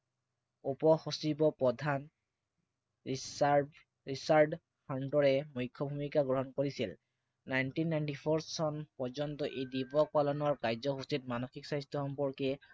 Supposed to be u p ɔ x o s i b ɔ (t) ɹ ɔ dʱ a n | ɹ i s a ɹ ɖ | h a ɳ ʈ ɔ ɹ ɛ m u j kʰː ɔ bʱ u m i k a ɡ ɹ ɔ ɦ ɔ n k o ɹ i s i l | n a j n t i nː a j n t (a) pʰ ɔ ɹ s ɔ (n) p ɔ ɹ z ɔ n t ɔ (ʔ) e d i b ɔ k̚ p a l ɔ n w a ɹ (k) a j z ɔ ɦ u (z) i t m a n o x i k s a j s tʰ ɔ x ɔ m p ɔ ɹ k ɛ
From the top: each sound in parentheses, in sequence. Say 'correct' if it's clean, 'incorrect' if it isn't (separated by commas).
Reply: incorrect, incorrect, correct, correct, correct, incorrect